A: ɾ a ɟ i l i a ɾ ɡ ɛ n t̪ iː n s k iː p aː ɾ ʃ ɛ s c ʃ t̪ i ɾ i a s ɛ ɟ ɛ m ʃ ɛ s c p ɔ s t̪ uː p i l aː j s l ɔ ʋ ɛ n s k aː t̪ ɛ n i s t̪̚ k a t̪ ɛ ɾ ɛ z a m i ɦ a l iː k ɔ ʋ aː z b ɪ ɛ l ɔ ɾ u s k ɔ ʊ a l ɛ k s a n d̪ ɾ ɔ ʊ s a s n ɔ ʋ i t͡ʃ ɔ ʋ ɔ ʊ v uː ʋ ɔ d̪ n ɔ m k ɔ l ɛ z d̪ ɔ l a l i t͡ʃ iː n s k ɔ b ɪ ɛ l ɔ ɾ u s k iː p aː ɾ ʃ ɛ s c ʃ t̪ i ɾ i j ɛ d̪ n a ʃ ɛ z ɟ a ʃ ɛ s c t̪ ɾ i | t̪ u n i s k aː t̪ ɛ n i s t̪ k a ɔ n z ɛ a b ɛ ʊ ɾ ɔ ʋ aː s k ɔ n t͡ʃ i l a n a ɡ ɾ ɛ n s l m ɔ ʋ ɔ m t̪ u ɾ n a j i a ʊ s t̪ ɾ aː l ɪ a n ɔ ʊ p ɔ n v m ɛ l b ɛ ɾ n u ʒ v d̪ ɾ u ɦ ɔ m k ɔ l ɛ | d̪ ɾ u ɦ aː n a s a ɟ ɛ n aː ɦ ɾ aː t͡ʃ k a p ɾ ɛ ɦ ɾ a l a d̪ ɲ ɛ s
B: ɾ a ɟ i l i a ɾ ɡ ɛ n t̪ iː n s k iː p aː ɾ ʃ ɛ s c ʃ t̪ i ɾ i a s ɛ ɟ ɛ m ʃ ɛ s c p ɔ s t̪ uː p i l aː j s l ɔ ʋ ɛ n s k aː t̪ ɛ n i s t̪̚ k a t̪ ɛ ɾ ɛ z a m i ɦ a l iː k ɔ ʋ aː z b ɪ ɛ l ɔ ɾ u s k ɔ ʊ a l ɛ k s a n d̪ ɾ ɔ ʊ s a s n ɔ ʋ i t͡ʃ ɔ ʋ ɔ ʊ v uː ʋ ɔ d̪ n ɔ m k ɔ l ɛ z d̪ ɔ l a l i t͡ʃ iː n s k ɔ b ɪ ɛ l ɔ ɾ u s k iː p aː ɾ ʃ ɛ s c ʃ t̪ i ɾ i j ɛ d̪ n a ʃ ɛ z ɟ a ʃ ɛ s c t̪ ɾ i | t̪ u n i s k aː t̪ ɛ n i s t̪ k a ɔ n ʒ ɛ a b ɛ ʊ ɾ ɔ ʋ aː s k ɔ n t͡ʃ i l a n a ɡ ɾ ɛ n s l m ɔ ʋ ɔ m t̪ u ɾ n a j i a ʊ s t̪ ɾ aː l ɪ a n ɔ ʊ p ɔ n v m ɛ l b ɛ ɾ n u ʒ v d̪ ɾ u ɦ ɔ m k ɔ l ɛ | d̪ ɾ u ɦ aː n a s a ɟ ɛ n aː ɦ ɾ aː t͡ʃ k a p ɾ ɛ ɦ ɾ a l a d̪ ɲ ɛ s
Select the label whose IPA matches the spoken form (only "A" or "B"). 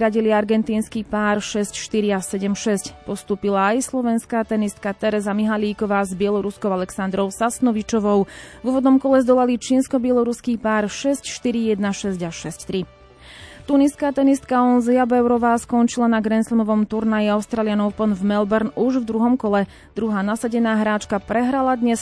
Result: A